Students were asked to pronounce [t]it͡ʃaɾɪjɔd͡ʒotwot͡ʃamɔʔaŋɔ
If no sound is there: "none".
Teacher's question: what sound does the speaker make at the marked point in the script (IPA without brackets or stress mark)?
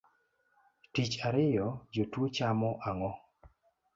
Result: t